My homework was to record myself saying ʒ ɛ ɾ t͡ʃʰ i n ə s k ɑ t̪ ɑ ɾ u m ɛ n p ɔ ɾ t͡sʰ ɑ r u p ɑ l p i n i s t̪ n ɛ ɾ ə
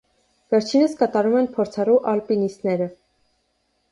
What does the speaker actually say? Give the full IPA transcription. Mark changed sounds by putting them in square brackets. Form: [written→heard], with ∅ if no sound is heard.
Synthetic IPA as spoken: [ʒ→v] ɛ ɾ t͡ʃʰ i n ə s k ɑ t̪ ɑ ɾ u m ɛ n [p→pʰ] ɔ ɾ t͡sʰ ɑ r u [p→ʔ] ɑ l p i n i s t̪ n ɛ ɾ ə